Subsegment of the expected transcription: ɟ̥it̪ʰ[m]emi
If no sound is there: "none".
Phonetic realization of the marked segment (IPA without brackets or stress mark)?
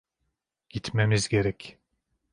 m